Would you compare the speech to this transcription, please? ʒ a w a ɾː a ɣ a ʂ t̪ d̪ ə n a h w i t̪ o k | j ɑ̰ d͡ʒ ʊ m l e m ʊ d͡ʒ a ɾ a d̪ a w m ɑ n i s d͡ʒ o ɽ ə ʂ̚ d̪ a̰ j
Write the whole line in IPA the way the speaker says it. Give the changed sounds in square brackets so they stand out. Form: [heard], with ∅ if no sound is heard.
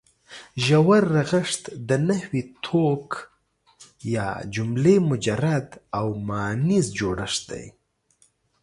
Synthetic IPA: ʒ a w a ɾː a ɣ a ʂ t̪ d̪ ə n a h w i [t̪ʰ] o k | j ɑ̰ d͡ʒ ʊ m l e m ʊ d͡ʒ a ɾ a d̪ a w m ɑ n i [z] d͡ʒ o ɽ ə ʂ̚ d̪ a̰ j